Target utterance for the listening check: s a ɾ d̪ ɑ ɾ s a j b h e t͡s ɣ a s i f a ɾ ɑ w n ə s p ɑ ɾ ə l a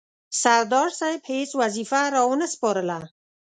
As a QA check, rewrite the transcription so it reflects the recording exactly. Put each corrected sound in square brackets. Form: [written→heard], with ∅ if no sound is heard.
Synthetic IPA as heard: s a ɾ d̪ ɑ ɾ s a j b h e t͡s [ɣ→w] a [s→z] i f a ɾ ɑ w n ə s p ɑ ɾ ə l a